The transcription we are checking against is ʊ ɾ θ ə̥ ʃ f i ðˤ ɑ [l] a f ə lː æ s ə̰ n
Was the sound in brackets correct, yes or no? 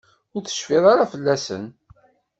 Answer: no